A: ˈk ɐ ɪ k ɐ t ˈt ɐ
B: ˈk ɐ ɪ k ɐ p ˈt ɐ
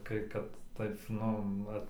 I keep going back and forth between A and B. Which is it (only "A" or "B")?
A